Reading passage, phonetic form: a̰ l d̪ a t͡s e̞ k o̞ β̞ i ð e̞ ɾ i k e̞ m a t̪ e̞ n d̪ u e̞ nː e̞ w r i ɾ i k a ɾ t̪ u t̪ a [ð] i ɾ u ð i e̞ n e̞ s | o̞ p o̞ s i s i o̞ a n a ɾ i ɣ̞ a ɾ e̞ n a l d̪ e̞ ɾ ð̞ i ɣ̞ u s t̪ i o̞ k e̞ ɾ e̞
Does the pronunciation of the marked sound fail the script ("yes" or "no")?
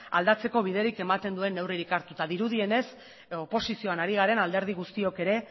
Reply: no